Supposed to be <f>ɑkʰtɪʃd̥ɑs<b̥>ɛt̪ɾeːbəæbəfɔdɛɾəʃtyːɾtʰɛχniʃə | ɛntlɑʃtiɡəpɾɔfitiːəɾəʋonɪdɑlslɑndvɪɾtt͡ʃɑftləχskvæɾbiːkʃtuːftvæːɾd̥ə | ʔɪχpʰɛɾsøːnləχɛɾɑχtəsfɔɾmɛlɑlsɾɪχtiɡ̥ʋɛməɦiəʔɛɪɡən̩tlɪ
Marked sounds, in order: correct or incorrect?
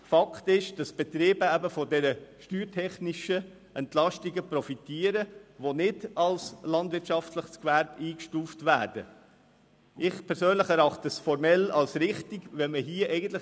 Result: correct, correct

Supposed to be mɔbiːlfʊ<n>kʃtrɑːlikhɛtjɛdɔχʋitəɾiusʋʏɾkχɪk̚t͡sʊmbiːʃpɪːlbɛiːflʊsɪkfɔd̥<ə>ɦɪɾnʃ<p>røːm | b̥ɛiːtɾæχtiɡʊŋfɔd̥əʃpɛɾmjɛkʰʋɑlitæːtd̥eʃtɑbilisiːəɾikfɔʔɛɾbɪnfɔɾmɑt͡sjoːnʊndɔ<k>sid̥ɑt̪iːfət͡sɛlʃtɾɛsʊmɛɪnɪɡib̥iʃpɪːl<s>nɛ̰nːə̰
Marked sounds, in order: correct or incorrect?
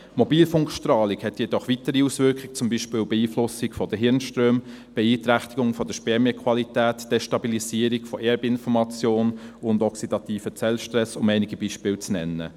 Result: incorrect: ŋ, correct, incorrect: t, correct, incorrect: t͡s

